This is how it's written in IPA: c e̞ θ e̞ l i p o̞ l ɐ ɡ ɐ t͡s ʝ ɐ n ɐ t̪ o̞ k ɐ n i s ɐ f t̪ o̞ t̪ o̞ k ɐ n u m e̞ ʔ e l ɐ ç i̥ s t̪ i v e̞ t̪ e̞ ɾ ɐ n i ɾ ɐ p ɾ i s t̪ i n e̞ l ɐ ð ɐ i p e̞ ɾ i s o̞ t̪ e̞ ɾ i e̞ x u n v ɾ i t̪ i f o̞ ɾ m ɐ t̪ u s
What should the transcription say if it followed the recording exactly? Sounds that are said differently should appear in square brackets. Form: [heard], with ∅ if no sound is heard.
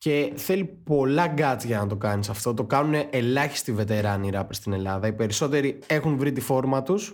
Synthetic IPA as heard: c e̞ θ e̞ l i p o̞ l ɐ ɡ ɐ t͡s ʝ ɐ n ɐ t̪ o̞ k ɐ n i s ɐ f t̪ o̞ t̪ o̞ k ɐ n u [n] e̞ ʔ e l ɐ ç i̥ s t̪ i v e̞ t̪ e̞ ɾ ɐ n i ɾ ɐ p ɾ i s t̪ i n e̞ l ɐ ð ɐ i p e̞ ɾ i s o̞ t̪ e̞ ɾ i e̞ x u n v ɾ i t̪ i f o̞ ɾ m ɐ t̪ u s